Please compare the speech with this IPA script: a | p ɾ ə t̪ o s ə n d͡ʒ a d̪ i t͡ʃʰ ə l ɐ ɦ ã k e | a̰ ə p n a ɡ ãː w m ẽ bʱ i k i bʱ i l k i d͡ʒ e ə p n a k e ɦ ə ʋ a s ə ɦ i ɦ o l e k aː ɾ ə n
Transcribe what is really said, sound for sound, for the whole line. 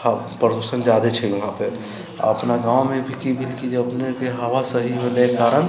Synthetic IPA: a | p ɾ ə d̪ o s ə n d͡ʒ a d̪ e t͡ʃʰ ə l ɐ ɦ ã p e | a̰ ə p n a ɡ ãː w m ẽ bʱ i k i bʱ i l k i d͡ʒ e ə p n e k e ɦ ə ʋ a s ə ɦ i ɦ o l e k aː ɾ ə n